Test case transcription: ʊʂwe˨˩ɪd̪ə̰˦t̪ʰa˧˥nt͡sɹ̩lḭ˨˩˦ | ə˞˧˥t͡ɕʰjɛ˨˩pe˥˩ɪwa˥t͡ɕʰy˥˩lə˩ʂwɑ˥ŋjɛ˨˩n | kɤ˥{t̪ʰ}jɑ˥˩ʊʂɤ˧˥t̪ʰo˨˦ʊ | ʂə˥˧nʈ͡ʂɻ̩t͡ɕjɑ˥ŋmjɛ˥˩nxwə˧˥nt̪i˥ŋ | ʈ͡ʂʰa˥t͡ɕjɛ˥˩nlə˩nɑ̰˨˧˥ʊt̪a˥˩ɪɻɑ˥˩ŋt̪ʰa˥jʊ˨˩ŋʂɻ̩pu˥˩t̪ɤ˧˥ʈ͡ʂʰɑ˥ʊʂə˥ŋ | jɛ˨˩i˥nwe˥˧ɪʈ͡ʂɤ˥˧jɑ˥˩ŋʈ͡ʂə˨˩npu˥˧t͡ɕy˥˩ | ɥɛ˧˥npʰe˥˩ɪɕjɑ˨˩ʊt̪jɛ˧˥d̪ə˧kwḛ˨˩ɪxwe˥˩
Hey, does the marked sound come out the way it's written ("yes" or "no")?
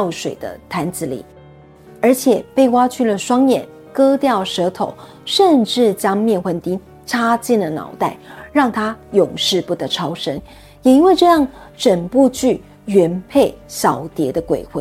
no